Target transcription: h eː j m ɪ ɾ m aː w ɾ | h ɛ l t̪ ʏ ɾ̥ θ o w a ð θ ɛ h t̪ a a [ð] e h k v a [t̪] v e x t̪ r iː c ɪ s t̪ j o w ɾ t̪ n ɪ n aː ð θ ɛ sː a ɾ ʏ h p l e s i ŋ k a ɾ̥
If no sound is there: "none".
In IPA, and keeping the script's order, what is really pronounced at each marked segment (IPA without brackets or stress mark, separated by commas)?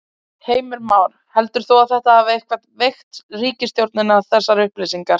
v, t̪